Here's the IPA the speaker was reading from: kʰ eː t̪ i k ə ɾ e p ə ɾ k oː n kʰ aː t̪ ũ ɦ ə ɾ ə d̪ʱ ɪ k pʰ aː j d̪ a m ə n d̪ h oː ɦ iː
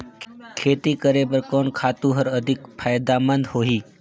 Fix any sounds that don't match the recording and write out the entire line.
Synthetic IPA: kʰ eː t̪ i k ə ɾ e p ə ɾ k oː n kʰ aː t̪ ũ ɦ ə ɾ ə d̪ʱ ɪ k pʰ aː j d̪ a m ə n d̪ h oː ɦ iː